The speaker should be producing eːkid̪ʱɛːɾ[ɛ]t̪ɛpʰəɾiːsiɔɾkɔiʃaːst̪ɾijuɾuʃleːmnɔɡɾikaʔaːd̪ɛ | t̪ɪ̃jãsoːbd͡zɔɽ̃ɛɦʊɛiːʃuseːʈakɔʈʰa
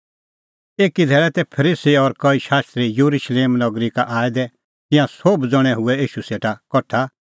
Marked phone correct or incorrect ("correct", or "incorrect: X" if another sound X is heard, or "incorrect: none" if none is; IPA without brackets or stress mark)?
correct